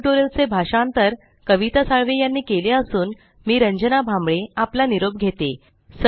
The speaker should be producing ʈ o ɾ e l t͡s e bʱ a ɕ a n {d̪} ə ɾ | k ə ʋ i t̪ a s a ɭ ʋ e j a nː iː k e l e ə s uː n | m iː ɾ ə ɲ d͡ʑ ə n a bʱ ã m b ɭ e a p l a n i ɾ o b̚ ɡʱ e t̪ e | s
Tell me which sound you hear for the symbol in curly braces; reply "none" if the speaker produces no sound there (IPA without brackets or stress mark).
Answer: t̪